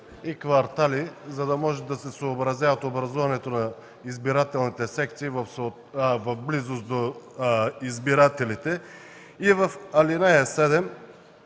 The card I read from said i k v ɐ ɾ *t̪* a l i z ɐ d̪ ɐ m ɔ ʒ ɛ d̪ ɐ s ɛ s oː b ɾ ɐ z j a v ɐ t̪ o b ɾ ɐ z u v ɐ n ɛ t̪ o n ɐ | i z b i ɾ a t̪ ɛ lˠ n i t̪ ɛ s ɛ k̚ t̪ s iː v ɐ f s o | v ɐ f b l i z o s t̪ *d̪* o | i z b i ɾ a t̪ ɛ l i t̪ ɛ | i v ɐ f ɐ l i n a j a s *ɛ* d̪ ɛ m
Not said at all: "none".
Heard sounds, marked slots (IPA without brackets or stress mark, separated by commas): t̪, d̪, ɛ